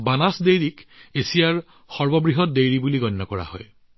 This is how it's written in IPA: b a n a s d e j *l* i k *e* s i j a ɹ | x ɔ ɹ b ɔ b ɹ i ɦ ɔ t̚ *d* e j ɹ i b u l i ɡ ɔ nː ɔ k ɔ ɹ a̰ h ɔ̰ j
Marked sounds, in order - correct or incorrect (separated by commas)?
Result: incorrect, correct, correct